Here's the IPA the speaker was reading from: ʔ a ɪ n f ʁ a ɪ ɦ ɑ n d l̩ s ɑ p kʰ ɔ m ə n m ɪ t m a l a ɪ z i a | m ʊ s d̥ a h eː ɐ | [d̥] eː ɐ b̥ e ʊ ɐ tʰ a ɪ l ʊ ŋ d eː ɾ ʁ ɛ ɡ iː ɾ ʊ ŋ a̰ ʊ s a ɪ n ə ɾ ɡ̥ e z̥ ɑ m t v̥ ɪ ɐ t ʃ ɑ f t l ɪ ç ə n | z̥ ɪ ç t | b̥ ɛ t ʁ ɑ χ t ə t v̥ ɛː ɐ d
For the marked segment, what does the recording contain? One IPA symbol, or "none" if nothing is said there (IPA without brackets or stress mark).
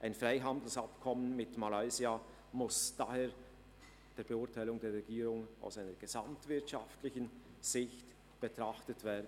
d̥